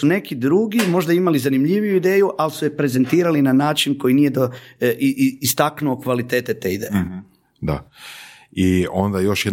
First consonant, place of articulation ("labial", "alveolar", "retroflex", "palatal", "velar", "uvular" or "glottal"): alveolar